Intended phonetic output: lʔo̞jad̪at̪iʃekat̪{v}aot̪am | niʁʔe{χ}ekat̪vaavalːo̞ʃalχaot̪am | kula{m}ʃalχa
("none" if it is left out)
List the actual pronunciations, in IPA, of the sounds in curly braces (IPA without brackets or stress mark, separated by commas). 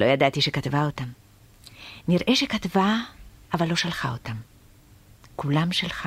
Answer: v, ʃ, m